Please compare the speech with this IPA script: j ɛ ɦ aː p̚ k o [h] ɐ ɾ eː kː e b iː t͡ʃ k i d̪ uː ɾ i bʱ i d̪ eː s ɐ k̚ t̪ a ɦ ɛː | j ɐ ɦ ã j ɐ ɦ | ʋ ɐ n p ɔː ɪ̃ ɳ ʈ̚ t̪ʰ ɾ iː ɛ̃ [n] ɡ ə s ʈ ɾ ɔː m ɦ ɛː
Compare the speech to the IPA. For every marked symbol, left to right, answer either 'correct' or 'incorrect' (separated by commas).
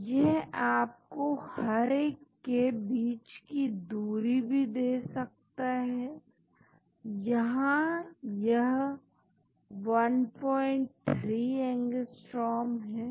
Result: correct, incorrect